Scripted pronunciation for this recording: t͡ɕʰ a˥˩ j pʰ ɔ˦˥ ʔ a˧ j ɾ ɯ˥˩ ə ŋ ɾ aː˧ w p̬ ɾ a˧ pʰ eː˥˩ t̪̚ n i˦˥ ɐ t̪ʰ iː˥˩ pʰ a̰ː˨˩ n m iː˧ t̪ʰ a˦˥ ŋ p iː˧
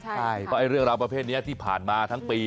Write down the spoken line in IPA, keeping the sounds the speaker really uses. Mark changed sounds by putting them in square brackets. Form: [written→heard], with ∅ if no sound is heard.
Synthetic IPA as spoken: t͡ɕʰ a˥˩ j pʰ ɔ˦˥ ʔ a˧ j ɾ ɯ˥˩ ə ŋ ɾ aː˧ w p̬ ɾ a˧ pʰ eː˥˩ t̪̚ n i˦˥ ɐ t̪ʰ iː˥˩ pʰ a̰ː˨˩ n m [iː˧→aː˧] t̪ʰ a˦˥ ŋ p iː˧